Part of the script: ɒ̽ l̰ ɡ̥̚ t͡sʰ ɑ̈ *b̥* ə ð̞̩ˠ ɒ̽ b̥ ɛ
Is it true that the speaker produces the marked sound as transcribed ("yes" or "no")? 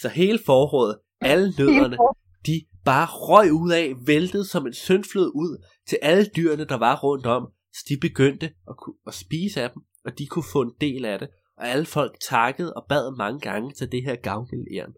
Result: no